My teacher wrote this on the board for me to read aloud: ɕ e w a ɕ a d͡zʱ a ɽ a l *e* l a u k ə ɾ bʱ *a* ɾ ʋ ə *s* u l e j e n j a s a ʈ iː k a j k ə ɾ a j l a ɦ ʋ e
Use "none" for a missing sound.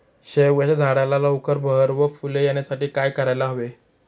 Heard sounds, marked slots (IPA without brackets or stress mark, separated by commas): a, ə, f